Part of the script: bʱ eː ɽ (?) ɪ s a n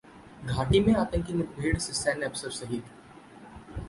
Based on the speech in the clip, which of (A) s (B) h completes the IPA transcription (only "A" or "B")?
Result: A